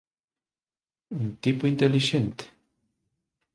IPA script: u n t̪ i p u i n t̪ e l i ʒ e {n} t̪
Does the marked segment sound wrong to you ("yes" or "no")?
no